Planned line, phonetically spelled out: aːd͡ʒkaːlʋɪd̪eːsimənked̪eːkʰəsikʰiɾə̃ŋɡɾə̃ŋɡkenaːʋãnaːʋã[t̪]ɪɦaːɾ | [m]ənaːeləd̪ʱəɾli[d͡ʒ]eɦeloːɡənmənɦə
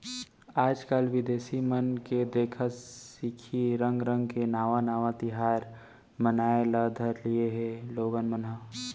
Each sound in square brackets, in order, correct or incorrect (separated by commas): correct, correct, incorrect